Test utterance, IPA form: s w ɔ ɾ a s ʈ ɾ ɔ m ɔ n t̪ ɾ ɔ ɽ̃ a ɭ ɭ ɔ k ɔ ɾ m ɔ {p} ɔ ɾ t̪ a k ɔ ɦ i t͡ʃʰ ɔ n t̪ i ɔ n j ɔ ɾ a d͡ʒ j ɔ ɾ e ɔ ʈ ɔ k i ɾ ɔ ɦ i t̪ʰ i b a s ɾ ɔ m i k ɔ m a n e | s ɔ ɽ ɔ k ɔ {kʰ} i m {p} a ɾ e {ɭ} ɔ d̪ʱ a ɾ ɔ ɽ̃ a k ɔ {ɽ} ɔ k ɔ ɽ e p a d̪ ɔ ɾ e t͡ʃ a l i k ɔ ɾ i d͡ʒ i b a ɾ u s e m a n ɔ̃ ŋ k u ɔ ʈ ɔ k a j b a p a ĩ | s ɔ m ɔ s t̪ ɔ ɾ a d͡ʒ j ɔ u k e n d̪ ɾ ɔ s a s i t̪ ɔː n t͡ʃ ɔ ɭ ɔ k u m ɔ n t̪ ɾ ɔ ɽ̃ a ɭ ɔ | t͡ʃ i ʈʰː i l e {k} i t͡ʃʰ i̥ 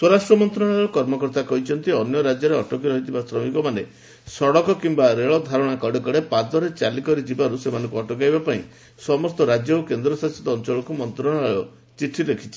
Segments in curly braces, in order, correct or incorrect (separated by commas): incorrect, incorrect, incorrect, correct, correct, incorrect